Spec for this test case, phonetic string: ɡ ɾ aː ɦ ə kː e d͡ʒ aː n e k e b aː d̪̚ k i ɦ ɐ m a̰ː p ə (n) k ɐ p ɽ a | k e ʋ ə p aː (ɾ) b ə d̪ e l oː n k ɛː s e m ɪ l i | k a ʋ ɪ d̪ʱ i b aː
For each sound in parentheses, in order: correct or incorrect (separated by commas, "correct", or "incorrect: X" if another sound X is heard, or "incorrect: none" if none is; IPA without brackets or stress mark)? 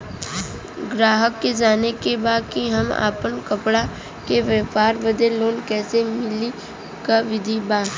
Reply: correct, correct